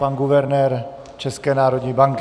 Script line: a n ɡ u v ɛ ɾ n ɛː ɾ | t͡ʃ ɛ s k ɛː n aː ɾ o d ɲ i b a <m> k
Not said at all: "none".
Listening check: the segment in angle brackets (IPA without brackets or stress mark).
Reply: ŋ